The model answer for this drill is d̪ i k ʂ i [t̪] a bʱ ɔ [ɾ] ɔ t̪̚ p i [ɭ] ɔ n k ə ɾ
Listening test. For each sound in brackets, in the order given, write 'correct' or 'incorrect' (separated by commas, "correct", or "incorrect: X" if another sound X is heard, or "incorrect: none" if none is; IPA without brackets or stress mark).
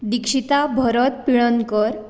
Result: correct, correct, correct